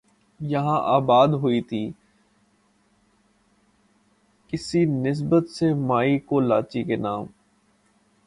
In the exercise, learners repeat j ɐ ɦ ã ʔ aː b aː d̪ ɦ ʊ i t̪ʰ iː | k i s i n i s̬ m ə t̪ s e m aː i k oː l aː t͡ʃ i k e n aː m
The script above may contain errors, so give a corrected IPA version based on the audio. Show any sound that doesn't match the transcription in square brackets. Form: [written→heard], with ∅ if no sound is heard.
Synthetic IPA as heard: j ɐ ɦ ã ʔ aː b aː d̪ ɦ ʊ i t̪ʰ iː | k [i→ɪ] s i n [i→ɪ] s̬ [m→b] ə t̪ s e m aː i k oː l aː t͡ʃ i k e n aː m